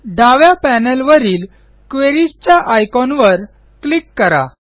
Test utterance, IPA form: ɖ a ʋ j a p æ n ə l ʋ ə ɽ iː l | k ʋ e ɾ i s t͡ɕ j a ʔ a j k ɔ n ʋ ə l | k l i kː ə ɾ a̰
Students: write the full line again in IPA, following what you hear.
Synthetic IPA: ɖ a ʋ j a p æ n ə l ʋ ə ɾ iː l | k ʋ e ɾ i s t͡ɕ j a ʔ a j k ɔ n ʋ ə ɾ | k l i kː ə ɾ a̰

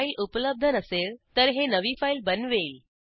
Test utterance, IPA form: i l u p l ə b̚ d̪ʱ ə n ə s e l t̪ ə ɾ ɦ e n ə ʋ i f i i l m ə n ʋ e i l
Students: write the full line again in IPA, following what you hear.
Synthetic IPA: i l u p l ə b̚ d̪ʱ ə n ə s e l t̪ ə ɾ ɦ e n ə ʋ i f a i l b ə n ʋ e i l

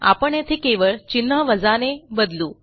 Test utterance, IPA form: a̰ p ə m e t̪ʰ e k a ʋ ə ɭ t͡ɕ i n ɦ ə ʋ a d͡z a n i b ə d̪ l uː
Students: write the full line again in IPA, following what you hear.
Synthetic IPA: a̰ p ə ɳ e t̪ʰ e k e ʋ ə ɭ t͡ɕ i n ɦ ə ʋ ə d͡z a n e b ə d̪ l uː

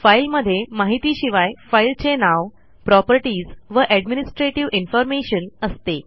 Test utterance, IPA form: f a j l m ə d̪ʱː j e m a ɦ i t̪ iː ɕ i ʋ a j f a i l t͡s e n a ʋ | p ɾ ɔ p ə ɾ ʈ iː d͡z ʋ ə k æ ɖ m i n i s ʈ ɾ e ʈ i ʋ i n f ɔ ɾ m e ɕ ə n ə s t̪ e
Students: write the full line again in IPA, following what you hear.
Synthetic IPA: f a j l m ə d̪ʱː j e m a ɦ i t̪ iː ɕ i ʋ a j f a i l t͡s e n a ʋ | p ɾ ɔ p ə ɾ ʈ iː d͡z ʋ ə ʔ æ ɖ m i n i s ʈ ɾ e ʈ i ʋ i n f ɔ ɾ m e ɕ ə n ə s t̪ e

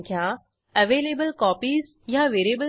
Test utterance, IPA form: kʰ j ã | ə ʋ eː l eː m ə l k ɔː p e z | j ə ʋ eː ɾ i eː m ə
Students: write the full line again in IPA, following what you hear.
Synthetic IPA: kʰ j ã | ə ʋ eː l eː b ə l k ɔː p i z | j a ʋ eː ɾ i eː b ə

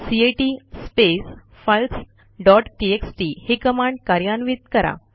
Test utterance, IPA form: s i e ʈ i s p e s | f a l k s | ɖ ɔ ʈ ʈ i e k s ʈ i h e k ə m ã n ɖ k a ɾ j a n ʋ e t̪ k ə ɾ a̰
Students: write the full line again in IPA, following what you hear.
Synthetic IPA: s i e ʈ i s p e s | f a l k s | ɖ ɔ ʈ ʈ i e k s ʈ i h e k ə m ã ɳ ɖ k a ɾ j a n ʋ i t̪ k ə ɾ a̰

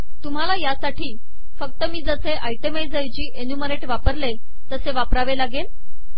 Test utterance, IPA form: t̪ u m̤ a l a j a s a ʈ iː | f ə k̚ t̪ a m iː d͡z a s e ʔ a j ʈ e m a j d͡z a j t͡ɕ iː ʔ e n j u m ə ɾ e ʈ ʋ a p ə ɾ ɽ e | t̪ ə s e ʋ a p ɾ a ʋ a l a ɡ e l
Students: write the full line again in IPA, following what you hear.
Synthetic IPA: t̪ u m̤ a l a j a s a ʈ iː | f ə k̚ t̪ ə m iː d͡z ə s e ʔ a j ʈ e m a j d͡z a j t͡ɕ iː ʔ e n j u m ə ɾ e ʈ ʋ a p ə ɾ l e | t̪ ə s e ʋ a p ɾ a ʋ e l a ɡ e l

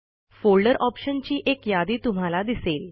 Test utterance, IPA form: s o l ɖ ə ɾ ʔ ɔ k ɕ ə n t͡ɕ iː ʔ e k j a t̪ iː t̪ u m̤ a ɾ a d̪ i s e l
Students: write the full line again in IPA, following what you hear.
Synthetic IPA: f o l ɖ ə ɾ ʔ ɔ p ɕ ə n t͡ɕ iː ʔ e k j a d̪ iː t̪ u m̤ a l a d̪ i s e l

